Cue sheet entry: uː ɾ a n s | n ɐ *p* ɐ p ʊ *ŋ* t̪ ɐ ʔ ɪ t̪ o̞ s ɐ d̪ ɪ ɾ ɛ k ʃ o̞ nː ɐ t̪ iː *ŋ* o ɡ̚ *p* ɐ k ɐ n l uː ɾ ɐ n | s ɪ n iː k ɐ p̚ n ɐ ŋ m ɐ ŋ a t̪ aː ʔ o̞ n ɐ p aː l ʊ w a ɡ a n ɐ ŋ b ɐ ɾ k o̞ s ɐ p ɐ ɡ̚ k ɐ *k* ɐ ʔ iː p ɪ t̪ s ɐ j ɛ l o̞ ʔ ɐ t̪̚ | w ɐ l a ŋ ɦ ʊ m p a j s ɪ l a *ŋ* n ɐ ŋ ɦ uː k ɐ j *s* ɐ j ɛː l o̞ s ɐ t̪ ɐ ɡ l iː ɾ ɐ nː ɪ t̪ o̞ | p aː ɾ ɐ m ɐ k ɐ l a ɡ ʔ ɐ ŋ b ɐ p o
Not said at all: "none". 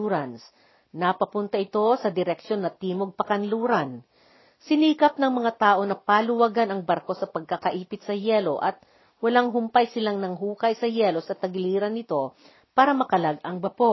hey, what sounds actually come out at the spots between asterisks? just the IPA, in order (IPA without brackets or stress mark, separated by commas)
p, n, m, p, k, ŋ, s